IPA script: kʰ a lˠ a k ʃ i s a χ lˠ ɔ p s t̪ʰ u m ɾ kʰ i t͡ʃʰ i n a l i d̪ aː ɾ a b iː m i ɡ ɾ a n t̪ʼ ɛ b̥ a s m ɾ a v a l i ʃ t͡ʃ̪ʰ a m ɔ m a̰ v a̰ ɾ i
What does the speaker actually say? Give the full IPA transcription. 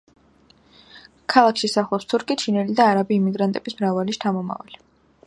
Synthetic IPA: kʰ a lˠ a k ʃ i s a χ lˠ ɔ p s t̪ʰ u ɾ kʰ i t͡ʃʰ i n ɛ l i d̪ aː ɾ a b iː m i ɡ ɾ a n t̪ʼ ɛ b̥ i s m ɾ a v a l i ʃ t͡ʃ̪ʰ a m ɔ m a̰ v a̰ l i